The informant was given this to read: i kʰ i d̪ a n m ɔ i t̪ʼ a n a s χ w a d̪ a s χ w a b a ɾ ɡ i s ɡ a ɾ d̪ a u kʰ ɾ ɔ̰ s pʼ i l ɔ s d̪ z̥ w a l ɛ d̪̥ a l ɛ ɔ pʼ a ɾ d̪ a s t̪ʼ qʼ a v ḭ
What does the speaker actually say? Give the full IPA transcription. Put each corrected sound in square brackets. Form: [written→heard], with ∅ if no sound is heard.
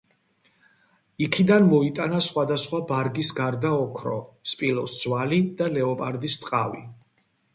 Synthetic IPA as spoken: i kʰ i d̪ a n m ɔ i t̪ʼ a n a s χ w a d̪ a s χ w a b a ɾ ɡ i s ɡ a ɾ d̪ a [u→ɔ] kʰ ɾ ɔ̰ s pʼ i l ɔ s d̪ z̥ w a l [ɛ→i] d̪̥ a l ɛ ɔ pʼ a ɾ d̪ [a→i] s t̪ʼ qʼ a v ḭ